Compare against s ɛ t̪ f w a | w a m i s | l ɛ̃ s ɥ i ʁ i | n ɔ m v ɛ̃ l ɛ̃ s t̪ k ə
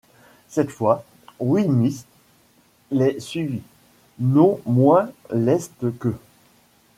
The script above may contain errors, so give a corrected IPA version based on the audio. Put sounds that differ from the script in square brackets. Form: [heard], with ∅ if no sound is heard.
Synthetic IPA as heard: s ɛ t̪ f w a | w [i] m i s | l [ɛ] s ɥ i [v] i | n [ɔ̃] m [w] ɛ̃ l [ɛ] s t̪ k ə